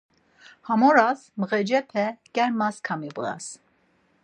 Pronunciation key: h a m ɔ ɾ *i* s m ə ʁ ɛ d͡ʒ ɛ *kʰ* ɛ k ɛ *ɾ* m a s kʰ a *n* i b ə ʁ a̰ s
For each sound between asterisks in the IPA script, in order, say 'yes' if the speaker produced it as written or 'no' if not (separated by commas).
no, no, yes, no